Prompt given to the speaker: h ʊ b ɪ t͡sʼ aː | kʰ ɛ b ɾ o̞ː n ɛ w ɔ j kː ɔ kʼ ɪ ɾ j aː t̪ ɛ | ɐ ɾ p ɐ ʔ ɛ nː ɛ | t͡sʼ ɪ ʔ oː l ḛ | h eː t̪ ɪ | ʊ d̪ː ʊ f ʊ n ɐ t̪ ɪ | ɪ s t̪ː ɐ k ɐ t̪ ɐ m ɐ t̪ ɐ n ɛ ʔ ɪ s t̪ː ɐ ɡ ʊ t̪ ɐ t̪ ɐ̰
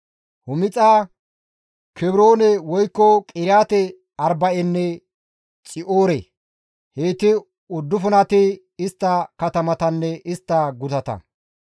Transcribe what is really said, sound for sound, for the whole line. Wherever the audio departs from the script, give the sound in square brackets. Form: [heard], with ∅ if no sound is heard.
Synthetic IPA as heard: h ʊ [m] ɪ t͡sʼ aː | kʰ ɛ b ɾ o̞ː n ɛ w ɔ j kː ɔ kʼ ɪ ɾ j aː t̪ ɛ | ɐ ɾ [b] ɐ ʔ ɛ nː ɛ | t͡sʼ ɪ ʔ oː [ɾ] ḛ | h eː t̪ ɪ | ʊ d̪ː ʊ f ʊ n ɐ t̪ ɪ | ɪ s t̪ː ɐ k ɐ t̪ ɐ m ɐ t̪ ɐ [nː] ɛ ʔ ɪ s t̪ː ɐ ɡ ʊ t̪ ɐ t̪ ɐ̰